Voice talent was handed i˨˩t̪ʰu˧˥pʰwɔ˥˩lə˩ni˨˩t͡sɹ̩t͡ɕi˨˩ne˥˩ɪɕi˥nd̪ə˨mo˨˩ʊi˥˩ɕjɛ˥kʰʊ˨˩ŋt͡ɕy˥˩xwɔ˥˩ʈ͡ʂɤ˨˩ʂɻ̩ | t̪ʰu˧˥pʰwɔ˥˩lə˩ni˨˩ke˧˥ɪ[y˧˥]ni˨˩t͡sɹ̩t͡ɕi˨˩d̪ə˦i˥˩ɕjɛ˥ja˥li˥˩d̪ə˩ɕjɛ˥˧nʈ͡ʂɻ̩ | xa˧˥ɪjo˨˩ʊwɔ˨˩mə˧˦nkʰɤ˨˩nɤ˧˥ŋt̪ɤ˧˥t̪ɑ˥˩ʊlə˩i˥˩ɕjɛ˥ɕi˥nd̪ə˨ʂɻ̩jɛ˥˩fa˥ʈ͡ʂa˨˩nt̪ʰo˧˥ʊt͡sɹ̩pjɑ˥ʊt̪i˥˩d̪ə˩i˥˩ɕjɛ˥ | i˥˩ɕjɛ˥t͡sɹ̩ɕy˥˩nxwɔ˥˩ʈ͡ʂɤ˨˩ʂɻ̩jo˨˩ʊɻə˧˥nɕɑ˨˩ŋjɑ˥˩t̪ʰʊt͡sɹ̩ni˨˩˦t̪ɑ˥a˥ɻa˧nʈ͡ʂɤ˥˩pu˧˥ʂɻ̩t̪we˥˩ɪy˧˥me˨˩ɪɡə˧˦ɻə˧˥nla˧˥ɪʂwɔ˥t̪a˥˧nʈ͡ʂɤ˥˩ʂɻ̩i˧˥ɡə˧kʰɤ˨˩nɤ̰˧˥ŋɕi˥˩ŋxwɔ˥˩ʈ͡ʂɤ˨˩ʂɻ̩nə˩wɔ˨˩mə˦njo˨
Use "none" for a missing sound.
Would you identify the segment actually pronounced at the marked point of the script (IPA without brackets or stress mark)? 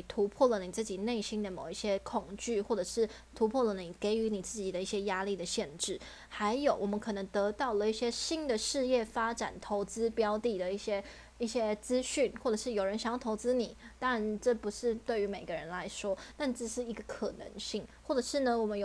y˧˥